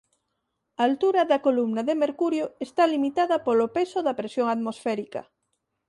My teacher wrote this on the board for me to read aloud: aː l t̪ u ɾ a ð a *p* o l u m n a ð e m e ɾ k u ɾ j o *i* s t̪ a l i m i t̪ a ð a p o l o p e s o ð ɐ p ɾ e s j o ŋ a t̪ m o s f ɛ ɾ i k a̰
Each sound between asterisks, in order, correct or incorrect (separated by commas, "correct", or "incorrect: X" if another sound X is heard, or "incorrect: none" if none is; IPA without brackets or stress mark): incorrect: k, incorrect: e